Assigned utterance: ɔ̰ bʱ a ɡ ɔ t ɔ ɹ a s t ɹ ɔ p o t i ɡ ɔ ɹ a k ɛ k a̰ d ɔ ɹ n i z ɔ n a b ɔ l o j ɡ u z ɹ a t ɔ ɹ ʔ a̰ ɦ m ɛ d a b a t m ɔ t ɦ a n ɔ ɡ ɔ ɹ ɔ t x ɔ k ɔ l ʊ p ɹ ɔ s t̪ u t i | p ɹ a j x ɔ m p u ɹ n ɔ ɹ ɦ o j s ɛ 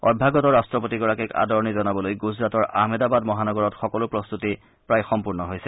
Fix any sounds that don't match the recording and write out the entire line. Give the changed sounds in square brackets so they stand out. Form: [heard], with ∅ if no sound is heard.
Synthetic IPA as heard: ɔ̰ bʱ a ɡ ɔ t ɔ ɹ a s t ɹ ɔ p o t i ɡ ɔ ɹ a k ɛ k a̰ d ɔ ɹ n i z ɔ n a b ɔ l o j ɡ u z ɹ a t ɔ ɹ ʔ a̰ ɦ m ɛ d a b a [d] m ɔ [∅] ɦ a n ɔ ɡ ɔ ɹ ɔ t x ɔ k ɔ l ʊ p ɹ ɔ s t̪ u t i | p ɹ a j x ɔ m p u ɹ n ɔ [∅] ɦ o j s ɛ